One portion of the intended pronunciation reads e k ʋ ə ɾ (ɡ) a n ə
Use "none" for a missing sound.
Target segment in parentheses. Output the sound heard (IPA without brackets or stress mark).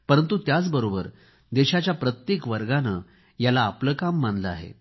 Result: ɡ